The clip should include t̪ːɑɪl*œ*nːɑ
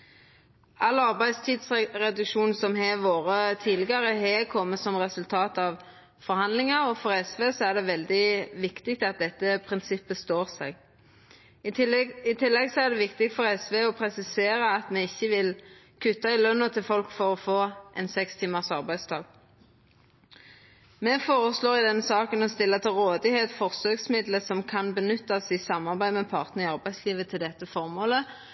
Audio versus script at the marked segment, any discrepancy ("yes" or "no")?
no